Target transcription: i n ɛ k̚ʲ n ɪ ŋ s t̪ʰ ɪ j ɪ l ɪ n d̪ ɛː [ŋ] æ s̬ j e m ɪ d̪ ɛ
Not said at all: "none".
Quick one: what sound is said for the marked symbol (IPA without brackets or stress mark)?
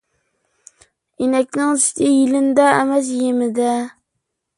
m